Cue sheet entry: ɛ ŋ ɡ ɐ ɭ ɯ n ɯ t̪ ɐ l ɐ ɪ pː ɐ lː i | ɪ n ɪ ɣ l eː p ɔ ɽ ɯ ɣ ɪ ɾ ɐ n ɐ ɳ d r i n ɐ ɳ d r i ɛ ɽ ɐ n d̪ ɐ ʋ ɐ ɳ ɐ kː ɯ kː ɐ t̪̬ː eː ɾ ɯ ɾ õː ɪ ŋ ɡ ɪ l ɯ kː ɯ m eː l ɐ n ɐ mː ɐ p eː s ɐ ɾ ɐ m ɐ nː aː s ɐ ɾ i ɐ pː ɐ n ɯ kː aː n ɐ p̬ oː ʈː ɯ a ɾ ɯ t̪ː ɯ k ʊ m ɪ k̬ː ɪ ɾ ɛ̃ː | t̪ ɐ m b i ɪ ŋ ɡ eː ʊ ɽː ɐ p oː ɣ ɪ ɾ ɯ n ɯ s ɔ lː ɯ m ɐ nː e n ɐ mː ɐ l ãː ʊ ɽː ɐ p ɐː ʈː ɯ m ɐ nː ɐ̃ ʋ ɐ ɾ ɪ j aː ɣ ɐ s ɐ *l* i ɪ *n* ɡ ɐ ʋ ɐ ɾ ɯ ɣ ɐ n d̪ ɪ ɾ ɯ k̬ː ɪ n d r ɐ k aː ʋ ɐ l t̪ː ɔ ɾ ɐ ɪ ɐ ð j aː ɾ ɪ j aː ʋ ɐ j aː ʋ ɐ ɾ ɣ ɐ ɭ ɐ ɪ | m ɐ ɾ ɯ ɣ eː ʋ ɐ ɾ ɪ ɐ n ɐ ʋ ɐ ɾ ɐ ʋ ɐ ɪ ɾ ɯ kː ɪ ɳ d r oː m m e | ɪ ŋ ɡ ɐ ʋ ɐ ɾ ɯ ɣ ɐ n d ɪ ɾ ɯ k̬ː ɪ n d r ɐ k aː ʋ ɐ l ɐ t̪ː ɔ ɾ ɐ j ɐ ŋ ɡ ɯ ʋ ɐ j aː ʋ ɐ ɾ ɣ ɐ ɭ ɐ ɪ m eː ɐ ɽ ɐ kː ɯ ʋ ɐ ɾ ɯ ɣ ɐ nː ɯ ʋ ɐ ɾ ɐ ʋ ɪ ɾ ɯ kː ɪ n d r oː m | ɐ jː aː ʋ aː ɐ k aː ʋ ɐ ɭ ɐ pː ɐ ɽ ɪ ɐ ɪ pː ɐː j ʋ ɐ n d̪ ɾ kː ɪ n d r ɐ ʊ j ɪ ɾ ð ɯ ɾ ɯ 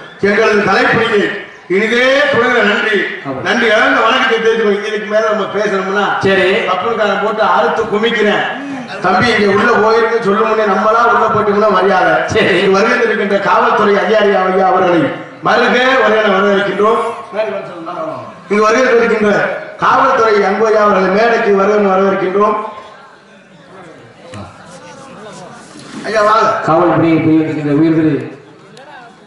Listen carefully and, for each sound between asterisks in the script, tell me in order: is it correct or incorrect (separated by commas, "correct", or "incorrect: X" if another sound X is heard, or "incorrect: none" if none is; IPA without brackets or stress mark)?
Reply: incorrect: ɾ, incorrect: ŋ